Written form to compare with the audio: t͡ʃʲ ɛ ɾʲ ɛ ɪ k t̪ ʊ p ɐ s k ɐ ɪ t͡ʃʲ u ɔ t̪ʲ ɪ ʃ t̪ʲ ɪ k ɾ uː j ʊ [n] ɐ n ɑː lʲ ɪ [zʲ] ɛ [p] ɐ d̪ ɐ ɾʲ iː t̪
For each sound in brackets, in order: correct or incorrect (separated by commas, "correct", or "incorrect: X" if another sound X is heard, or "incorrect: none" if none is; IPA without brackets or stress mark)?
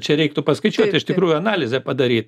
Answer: incorrect: none, correct, correct